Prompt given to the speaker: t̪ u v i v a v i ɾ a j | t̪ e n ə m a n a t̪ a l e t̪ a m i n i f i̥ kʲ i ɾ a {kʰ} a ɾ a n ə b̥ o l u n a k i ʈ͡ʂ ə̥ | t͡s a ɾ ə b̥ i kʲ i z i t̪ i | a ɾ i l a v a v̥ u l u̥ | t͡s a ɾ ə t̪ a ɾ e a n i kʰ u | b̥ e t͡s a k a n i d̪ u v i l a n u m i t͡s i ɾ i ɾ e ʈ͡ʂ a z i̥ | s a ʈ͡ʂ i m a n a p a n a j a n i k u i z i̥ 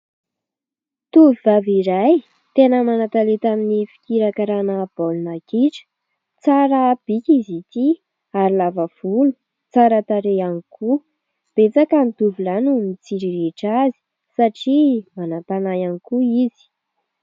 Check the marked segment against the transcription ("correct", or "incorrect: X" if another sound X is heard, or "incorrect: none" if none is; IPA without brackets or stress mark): incorrect: k